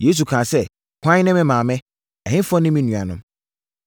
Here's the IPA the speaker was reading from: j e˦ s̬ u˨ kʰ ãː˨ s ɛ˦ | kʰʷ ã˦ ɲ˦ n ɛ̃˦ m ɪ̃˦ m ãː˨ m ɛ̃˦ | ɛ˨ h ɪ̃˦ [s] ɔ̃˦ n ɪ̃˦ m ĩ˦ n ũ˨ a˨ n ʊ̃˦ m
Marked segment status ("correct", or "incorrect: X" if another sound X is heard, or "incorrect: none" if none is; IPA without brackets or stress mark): incorrect: f